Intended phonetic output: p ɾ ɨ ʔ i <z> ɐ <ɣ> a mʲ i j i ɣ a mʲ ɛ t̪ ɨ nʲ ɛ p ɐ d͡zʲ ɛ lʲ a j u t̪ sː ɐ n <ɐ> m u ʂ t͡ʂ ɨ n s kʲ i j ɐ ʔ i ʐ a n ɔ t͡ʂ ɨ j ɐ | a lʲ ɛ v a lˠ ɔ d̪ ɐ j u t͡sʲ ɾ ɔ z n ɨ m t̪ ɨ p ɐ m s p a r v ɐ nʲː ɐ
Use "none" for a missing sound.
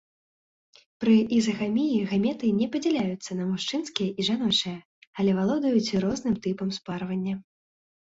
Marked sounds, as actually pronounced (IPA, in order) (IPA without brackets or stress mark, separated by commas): z, ɣ, ɐ